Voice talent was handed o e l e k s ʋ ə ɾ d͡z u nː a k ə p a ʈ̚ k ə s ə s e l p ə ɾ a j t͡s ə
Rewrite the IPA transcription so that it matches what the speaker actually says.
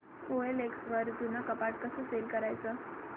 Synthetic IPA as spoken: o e l e k s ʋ ə ɾ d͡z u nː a k ə p a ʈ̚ k ə s ə s e l k ə ɾ a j t͡s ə